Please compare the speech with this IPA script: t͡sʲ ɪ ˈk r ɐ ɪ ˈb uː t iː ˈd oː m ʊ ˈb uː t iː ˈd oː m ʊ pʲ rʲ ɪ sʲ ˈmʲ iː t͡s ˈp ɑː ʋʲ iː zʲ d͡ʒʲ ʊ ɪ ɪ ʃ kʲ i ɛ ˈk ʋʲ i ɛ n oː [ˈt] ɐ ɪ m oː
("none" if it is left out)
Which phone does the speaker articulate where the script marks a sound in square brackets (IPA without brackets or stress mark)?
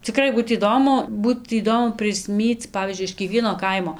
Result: k